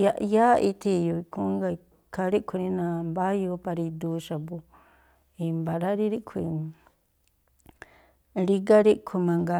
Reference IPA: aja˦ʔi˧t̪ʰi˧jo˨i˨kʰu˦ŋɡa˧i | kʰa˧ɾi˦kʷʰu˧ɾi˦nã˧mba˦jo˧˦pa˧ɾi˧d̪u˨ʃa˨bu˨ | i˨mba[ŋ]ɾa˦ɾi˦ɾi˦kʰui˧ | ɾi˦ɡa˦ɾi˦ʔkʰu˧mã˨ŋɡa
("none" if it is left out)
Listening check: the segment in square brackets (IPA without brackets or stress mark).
none